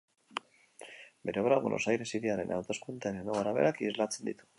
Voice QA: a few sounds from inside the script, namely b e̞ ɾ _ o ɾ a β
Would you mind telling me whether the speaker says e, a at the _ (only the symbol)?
e